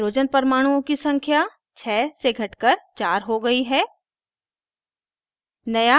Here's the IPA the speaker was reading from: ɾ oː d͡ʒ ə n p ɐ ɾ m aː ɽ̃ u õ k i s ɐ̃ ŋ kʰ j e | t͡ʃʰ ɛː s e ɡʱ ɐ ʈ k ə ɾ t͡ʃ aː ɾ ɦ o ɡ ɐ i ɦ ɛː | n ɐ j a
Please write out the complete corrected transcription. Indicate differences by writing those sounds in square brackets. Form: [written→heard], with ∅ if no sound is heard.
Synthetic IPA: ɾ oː d͡ʒ ə n p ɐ ɾ m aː ɽ̃ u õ k i s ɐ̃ ŋ kʰ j [e→a] | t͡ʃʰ ɛː s e ɡʱ ɐ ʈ k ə ɾ t͡ʃ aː ɾ ɦ o ɡ ɐ i ɦ ɛː | n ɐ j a